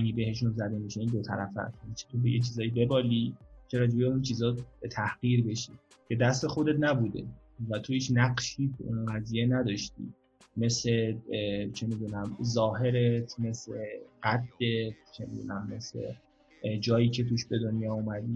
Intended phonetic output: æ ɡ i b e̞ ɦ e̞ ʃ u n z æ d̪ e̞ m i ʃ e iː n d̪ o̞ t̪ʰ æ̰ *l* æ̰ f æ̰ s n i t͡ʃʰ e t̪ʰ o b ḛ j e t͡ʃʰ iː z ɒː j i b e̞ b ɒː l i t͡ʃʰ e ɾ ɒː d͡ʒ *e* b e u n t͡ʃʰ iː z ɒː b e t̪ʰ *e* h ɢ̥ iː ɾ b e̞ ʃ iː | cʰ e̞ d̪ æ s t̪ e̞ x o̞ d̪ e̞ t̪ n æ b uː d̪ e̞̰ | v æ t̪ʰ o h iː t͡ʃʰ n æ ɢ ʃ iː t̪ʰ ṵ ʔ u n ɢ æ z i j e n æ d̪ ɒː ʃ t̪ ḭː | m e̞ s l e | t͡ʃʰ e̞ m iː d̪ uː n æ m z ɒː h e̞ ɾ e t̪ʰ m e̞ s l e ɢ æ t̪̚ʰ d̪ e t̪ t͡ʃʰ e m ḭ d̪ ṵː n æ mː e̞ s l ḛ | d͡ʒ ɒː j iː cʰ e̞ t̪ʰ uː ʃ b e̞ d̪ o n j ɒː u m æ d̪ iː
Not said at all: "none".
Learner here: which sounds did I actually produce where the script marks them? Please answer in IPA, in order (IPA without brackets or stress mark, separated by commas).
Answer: ɾ, e, æ